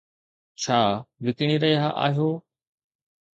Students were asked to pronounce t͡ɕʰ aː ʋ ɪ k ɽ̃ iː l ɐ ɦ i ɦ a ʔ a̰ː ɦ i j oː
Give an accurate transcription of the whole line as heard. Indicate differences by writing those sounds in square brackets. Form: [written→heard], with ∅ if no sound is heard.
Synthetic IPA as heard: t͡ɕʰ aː ʋ ɪ k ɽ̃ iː [l→ɾ] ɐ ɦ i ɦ a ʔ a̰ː ɦ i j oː